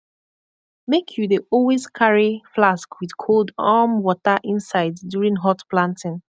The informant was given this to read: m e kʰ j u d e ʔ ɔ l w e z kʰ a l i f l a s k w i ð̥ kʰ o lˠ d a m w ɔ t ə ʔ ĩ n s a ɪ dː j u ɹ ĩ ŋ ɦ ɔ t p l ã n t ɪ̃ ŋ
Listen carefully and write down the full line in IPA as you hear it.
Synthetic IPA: m e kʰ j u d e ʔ ɔ l w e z kʰ a ɹ i f l a s k w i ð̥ kʰ o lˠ d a m w ɔ t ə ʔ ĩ n s a ɪ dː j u ɹ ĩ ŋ ɦ ɔ t p l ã n t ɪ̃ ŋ